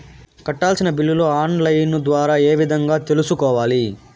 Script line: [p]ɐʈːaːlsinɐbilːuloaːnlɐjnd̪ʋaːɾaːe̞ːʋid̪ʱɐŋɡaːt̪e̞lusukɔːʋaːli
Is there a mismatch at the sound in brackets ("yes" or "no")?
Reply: yes